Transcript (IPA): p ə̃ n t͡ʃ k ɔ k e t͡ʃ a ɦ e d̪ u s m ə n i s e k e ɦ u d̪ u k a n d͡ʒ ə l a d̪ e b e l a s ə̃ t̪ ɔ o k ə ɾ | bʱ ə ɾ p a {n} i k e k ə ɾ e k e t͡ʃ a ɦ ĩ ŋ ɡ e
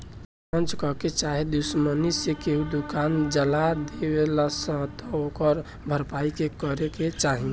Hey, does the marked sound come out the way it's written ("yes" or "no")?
no